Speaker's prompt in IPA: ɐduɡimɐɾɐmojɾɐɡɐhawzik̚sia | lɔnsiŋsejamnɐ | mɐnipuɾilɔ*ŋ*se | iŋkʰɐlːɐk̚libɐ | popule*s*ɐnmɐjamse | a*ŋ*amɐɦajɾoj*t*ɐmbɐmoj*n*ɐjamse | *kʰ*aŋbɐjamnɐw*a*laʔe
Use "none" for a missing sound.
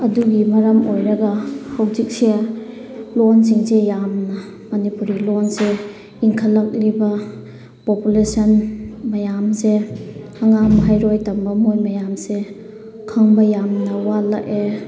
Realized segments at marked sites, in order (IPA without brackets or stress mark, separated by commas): n, s, ŋ, t, m, kʰ, a